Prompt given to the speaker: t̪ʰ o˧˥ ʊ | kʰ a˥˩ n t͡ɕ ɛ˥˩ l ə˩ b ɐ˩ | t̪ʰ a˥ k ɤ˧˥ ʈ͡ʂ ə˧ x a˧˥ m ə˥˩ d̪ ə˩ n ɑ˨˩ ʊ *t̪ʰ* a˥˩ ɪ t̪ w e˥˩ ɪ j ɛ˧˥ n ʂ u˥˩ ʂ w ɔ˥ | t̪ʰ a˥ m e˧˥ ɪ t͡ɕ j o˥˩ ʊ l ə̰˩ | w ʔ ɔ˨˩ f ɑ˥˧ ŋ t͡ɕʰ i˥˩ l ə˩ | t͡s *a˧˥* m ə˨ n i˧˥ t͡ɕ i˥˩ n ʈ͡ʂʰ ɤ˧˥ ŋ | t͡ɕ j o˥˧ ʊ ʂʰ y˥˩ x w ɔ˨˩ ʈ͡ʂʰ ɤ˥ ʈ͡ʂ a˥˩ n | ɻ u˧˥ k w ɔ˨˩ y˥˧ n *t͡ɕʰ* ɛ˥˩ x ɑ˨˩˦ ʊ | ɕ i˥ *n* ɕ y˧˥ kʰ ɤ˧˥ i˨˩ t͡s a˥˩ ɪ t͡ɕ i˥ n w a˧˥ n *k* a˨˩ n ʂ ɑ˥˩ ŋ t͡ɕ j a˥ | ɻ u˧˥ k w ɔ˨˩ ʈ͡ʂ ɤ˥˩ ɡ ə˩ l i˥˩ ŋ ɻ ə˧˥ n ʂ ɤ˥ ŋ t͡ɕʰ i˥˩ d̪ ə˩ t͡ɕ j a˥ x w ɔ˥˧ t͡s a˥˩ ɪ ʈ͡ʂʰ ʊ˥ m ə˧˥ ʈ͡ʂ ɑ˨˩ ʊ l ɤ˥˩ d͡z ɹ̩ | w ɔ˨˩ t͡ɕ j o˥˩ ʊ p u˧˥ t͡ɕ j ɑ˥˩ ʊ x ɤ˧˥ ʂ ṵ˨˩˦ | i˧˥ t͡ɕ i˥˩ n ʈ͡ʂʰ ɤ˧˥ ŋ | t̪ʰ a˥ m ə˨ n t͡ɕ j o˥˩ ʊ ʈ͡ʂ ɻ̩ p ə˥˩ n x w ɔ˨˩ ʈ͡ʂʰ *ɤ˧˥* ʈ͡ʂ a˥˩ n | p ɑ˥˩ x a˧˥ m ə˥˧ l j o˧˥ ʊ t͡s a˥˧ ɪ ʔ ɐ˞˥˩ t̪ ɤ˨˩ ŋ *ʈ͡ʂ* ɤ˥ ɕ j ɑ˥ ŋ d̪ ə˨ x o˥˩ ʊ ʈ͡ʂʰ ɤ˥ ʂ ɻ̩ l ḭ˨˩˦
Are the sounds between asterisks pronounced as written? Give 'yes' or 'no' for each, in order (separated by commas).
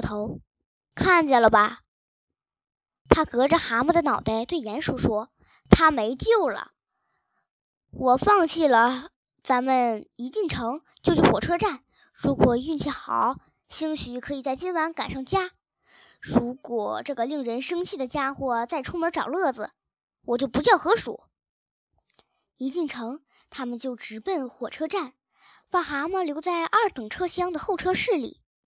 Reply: no, yes, yes, no, yes, no, no